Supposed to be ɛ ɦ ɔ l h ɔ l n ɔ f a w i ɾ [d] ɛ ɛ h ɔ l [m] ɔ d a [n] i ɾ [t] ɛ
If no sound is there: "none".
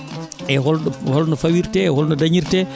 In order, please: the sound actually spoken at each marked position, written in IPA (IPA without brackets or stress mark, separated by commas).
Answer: t, n, ɲ, t